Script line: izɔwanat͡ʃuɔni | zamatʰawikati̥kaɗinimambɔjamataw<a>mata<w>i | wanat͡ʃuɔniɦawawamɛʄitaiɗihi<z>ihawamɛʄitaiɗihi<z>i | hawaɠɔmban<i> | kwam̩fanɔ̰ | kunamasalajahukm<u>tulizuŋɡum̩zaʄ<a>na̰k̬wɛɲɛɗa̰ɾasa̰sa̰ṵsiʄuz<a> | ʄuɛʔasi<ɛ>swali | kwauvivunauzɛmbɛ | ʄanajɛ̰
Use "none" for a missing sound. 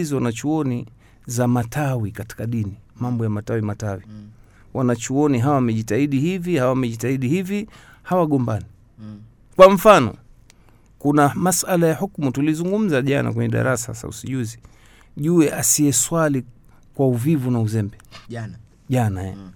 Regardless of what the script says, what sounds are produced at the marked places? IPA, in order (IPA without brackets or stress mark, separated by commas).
i, w, v, v, i, u, a, i, ɛ